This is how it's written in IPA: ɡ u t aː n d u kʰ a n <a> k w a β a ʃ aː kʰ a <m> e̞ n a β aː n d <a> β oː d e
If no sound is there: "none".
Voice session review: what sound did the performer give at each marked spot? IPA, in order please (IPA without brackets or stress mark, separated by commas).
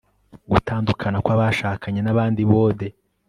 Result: a, ɲ, i